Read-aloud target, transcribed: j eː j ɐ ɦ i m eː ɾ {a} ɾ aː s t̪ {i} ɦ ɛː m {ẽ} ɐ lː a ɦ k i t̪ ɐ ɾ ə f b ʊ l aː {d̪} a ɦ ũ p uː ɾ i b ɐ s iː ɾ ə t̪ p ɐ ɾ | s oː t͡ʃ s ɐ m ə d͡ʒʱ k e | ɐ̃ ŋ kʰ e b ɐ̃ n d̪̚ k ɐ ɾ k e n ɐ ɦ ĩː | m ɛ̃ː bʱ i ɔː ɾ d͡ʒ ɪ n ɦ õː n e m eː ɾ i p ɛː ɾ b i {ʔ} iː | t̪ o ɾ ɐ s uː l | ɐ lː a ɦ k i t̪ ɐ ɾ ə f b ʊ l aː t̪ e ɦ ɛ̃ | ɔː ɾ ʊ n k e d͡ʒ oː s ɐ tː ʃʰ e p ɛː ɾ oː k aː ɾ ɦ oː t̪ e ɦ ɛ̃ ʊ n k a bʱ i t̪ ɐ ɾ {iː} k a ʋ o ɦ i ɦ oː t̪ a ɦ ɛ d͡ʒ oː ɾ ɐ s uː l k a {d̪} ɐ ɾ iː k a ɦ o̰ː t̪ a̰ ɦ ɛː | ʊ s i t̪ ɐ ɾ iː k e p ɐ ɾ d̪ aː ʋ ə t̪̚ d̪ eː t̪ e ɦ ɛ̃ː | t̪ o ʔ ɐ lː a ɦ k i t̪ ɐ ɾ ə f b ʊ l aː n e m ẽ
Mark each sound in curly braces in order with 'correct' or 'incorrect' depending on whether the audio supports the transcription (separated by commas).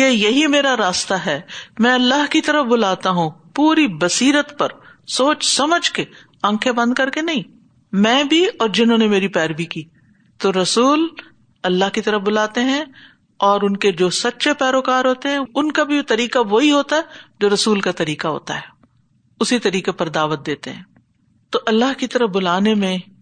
correct, incorrect, incorrect, incorrect, incorrect, correct, incorrect